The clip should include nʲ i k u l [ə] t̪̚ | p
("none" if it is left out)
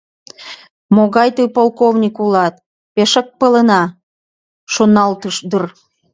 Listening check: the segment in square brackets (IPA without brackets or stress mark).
ɑ